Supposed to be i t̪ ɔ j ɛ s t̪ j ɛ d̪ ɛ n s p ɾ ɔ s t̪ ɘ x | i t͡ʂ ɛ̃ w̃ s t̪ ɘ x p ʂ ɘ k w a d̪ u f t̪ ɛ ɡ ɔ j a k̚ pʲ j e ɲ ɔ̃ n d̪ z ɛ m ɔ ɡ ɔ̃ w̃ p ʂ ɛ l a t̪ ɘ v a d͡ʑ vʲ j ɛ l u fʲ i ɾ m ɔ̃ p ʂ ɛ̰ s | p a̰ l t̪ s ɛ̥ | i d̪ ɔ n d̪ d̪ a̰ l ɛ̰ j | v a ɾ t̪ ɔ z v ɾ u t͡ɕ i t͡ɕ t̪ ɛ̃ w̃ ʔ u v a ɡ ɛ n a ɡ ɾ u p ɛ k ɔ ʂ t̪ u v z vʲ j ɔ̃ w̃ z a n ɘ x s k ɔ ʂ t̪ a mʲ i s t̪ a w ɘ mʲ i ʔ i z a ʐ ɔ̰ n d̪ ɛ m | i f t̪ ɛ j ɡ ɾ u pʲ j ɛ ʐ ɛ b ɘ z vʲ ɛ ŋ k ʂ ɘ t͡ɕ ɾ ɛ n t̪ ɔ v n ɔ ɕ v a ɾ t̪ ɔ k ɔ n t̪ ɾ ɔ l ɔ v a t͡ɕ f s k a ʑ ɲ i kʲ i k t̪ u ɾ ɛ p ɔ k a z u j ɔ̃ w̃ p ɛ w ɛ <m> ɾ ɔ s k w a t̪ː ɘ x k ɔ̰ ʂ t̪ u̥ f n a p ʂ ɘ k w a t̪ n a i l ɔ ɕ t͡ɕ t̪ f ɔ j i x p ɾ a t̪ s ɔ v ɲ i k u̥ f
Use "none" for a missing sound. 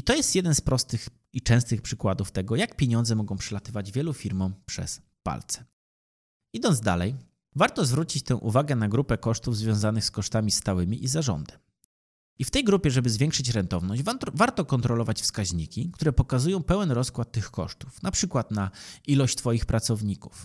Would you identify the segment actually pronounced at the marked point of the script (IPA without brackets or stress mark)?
n